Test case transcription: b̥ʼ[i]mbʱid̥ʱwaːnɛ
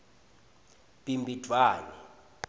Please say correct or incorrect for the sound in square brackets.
correct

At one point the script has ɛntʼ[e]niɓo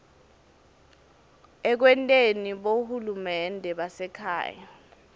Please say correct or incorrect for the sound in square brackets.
correct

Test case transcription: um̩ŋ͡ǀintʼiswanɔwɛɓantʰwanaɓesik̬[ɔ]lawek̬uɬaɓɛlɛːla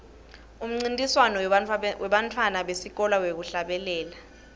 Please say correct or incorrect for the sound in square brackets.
correct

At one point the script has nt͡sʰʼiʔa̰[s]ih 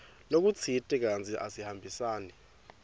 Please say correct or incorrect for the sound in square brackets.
correct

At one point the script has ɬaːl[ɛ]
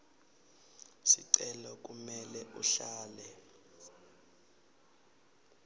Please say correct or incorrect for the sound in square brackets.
correct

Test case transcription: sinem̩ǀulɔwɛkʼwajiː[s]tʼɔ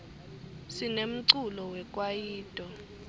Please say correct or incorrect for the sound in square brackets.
incorrect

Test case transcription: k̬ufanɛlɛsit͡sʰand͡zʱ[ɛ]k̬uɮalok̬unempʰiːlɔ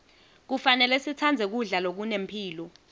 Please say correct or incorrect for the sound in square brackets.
correct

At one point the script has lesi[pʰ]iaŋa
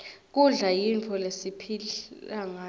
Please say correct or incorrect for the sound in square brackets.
correct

